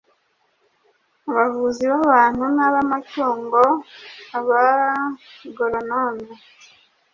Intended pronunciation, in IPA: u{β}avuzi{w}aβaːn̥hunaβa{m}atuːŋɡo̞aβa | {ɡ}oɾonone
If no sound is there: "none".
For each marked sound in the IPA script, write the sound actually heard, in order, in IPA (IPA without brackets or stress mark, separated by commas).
β, β, m, ɡ